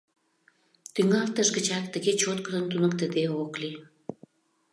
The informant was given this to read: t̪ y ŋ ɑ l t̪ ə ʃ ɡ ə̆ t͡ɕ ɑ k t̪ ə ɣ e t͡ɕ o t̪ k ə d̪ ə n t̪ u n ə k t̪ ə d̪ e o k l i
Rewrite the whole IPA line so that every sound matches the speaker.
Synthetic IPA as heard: t̪ y ŋ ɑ l t̪ ə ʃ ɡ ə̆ t͡ɕ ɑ k t̪ ə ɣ e t͡ɕ o t̪ k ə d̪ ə n t̪ u n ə k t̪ ə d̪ e o k l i